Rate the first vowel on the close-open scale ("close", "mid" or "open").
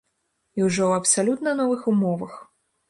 close